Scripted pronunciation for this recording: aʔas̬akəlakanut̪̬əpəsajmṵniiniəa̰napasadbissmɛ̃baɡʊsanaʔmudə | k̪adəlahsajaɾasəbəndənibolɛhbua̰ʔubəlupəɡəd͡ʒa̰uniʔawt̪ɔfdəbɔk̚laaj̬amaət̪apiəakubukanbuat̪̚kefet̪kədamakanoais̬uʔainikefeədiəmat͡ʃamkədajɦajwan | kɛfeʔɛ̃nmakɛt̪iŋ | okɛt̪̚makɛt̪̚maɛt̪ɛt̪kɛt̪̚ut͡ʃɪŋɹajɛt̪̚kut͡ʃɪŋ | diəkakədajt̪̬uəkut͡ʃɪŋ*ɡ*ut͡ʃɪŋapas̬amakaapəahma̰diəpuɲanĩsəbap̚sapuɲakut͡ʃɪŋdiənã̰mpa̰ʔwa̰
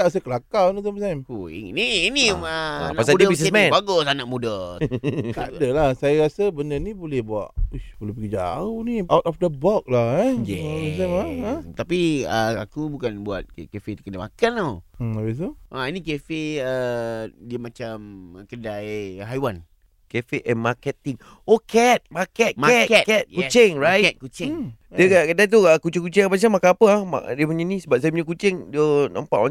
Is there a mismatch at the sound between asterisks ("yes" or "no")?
yes